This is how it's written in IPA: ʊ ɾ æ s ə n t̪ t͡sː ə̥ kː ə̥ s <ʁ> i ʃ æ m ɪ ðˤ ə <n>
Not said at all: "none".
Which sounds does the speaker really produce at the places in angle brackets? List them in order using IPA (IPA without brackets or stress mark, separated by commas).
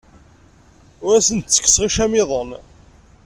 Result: ʁ, n